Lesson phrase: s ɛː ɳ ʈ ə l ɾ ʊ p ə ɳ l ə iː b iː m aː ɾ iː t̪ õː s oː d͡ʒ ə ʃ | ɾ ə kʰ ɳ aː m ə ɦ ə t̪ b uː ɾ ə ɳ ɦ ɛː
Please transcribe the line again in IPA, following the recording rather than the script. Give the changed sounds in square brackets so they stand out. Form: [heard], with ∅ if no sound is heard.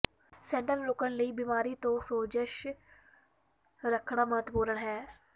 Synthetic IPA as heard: s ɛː ɳ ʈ ə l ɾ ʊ [k] ə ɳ l ə iː b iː m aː ɾ iː t̪ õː s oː d͡ʒ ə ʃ | ɾ ə kʰ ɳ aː m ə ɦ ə t̪ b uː ɾ ə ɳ ɦ ɛː